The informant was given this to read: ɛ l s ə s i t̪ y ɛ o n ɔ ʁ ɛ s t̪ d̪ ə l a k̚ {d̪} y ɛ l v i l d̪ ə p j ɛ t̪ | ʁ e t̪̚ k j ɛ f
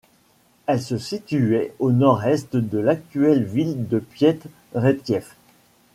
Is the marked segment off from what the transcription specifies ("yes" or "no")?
yes